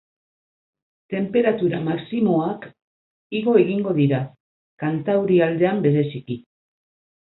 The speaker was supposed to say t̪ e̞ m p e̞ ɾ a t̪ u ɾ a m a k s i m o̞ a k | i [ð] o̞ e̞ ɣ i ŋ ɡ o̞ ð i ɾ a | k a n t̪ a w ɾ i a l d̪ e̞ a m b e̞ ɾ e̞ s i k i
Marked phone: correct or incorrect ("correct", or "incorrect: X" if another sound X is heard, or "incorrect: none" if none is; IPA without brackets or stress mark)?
incorrect: ɣ